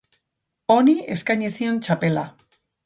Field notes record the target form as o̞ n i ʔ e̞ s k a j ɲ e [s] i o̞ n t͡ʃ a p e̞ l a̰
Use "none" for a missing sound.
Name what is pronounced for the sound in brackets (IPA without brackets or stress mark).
s